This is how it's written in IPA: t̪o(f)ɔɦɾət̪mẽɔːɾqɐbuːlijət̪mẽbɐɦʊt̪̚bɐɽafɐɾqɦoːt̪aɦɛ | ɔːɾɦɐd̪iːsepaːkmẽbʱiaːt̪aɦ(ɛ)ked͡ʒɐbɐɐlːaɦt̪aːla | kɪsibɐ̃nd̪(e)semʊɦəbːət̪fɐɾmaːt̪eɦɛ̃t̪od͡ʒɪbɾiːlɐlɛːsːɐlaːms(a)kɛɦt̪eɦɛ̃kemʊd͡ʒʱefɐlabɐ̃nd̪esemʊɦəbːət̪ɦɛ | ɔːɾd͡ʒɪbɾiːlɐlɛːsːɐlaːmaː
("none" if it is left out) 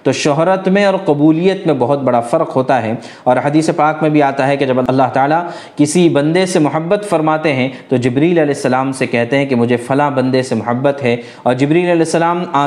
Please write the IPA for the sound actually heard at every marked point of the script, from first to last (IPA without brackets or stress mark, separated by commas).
ʃ, ɛ, e, e